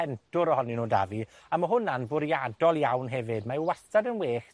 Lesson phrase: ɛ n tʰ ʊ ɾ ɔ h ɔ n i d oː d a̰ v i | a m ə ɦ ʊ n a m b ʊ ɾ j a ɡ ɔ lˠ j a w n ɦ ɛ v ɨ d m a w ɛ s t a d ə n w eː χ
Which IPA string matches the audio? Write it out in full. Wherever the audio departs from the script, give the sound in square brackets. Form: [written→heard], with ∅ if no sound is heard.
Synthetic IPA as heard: ɛ n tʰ ʊ ɾ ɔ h ɔ n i [d→n] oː d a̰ v i | a m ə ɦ ʊ n a [m→n] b ʊ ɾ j a [ɡ→d] ɔ lˠ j a w n ɦ ɛ v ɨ d m a w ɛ s t a d ə n w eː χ